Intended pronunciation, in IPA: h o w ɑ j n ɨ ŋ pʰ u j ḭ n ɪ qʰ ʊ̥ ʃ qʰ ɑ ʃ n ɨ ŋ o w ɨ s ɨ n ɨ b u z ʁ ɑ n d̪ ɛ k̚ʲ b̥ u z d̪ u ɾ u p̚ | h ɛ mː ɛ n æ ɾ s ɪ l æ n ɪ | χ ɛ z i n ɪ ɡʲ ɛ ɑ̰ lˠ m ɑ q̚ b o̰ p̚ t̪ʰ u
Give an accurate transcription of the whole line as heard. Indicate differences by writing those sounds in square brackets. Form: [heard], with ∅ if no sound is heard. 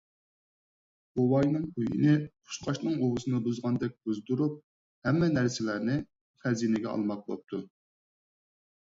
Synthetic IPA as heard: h o w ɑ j n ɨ ŋ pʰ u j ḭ n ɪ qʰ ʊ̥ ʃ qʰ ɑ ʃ n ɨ ŋ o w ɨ s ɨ n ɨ b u z ʁ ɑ n d̪ ɛ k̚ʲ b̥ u z d̪ u ɾ u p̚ | h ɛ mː ɛ n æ ɾ s ɪ l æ n ɪ | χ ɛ z i n ɪ ɡʲ ɛ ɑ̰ lˠ m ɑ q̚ b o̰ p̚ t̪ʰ u